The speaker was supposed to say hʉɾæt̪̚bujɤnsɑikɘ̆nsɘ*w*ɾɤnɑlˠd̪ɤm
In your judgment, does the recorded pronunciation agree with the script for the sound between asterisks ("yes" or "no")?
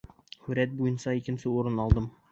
no